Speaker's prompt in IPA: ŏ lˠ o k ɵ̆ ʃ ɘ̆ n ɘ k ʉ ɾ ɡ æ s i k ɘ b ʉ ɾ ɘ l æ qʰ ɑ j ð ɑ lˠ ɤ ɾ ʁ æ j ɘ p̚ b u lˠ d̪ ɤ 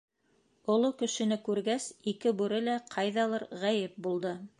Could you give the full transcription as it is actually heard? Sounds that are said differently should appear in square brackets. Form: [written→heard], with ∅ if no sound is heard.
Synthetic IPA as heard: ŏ lˠ o k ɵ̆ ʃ ɘ̆ n ɘ k ʉ ɾ ɡ æ s i k ɘ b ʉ ɾ ɘ l æ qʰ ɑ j ð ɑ lˠ ɤ ɾ ʁ æ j ɘ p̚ b u lˠ d̪ ɤ